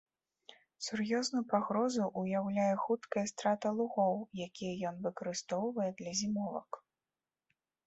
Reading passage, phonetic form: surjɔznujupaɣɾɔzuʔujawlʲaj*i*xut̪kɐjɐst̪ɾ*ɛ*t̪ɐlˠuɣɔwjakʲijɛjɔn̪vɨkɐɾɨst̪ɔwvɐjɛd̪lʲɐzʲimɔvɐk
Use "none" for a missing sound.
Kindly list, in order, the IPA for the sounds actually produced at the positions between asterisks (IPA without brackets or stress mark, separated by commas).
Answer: ɛ, a